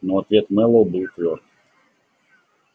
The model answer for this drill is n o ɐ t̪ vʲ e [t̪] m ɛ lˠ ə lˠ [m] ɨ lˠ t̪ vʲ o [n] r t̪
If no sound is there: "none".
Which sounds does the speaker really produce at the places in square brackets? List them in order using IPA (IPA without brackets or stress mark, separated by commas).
t̪, b, none